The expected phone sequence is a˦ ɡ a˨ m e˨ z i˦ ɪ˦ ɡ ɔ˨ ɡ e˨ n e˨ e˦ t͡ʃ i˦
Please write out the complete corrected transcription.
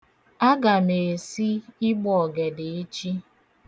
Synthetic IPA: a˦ ɡ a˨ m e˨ s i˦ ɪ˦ ɡ͡b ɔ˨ ɡ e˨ d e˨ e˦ t͡ʃ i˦